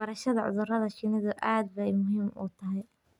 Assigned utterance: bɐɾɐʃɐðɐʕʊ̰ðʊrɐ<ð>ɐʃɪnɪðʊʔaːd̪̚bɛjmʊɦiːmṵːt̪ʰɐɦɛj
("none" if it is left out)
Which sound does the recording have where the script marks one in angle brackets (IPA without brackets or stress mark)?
ð